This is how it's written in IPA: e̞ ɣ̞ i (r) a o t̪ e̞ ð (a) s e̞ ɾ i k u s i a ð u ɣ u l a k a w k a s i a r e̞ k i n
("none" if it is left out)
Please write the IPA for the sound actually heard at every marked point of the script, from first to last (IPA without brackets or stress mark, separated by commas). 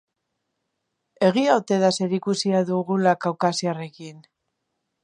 none, a